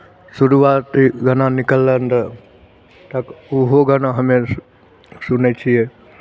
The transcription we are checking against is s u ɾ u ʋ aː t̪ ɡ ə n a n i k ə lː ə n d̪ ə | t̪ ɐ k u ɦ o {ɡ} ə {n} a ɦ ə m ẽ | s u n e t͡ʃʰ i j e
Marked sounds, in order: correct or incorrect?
correct, correct

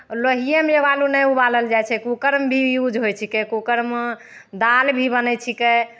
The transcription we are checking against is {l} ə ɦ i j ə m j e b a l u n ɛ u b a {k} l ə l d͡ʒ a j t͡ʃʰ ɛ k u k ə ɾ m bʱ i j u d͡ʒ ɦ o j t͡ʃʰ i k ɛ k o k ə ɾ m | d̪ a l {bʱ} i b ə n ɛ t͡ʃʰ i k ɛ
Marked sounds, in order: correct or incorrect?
correct, incorrect, correct

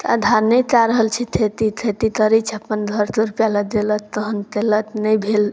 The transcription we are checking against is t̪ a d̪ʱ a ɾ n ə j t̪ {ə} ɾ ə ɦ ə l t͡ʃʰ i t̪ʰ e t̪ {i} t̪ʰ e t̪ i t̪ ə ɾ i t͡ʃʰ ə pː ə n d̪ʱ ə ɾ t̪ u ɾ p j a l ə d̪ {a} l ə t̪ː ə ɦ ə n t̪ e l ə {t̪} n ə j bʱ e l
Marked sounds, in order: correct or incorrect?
incorrect, correct, incorrect, correct

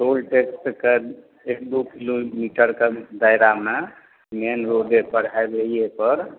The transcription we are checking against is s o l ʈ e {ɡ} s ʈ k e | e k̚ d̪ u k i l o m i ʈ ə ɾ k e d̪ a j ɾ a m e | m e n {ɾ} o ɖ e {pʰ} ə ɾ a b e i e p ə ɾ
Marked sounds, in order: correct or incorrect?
incorrect, correct, incorrect

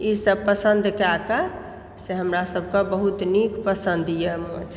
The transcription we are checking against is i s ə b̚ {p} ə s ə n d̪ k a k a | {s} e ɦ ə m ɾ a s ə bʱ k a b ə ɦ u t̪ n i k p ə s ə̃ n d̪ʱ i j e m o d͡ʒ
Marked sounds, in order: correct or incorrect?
correct, correct

